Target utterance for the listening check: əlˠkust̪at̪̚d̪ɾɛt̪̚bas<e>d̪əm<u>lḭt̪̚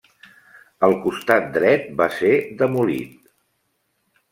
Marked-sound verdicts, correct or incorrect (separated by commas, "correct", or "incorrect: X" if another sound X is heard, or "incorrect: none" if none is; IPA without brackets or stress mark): correct, correct